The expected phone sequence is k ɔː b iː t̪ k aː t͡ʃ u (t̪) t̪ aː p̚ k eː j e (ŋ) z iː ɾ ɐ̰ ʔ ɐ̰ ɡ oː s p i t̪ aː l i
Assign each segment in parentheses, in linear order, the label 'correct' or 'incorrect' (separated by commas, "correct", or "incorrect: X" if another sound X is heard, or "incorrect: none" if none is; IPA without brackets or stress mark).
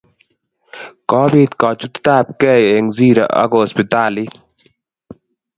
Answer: correct, correct